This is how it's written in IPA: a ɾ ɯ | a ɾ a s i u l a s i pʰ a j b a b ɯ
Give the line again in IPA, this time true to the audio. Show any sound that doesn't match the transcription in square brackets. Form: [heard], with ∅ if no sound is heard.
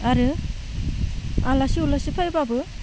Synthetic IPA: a ɾ ɯ | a [l] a s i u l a s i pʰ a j b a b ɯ